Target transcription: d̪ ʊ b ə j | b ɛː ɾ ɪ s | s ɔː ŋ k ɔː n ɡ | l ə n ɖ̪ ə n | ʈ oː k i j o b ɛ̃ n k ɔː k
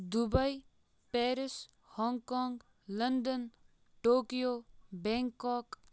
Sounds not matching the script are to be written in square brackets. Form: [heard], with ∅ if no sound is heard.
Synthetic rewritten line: d̪ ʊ b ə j | [p] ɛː ɾ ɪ s | [h] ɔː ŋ k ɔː [ŋ] ɡ | l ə n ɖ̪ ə n | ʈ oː k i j o b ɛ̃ [ŋ] k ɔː k